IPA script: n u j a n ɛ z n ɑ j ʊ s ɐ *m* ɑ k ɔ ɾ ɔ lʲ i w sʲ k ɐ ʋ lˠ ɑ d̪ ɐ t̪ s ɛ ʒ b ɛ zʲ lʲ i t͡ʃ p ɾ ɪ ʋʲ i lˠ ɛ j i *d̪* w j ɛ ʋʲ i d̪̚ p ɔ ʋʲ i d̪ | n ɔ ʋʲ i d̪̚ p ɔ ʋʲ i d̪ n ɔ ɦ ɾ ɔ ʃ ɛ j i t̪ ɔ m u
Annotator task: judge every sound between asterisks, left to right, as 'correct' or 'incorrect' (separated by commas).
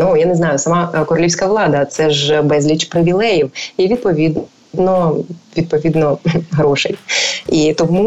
correct, incorrect